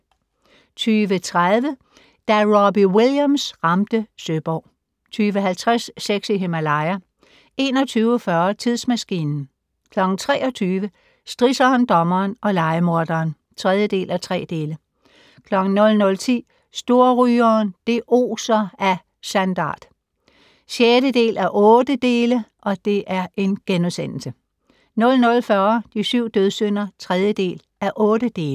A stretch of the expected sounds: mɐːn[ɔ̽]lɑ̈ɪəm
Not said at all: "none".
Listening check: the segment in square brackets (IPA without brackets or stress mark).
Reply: ɒ̽